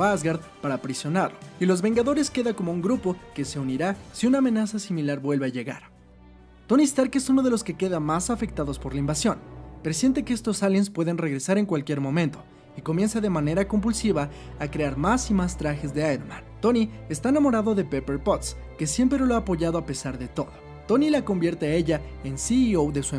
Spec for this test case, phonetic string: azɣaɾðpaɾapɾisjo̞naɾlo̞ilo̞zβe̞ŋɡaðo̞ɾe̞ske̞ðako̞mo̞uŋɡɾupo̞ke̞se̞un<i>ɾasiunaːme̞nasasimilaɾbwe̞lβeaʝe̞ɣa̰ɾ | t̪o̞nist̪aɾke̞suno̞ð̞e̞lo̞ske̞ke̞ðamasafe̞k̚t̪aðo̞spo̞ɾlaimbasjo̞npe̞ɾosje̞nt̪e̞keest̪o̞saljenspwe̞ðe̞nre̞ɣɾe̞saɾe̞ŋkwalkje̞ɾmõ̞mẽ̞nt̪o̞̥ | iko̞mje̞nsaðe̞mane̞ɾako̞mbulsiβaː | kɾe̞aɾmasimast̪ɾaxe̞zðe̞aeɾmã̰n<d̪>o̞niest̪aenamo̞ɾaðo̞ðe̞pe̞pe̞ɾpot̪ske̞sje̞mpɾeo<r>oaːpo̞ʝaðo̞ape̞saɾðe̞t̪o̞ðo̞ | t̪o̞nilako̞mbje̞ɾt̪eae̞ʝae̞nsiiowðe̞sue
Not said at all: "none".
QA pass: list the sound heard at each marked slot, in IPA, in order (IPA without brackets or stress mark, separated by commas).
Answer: i, t̪, l